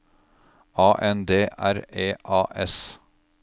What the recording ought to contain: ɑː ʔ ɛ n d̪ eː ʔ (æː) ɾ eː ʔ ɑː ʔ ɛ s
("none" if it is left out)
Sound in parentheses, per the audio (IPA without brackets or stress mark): æ